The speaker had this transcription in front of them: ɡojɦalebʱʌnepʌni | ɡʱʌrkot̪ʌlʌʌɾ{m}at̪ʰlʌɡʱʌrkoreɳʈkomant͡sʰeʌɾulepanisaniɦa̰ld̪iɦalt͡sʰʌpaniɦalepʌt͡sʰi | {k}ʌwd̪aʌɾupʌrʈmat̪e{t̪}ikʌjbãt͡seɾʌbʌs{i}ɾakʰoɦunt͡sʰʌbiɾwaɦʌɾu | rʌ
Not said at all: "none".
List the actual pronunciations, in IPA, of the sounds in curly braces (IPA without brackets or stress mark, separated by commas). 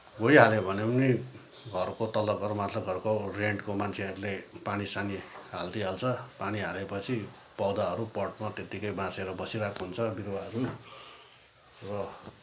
m, p, t̪, i